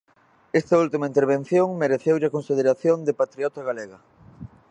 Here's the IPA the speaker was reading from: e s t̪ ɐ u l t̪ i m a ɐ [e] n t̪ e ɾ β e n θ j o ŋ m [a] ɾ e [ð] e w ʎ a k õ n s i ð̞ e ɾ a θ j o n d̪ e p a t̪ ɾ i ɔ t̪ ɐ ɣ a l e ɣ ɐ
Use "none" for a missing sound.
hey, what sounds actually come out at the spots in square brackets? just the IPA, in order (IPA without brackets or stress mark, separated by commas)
i, e, θ